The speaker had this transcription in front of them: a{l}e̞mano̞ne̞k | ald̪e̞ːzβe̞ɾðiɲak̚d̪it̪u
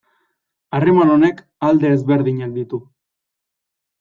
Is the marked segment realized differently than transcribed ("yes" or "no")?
yes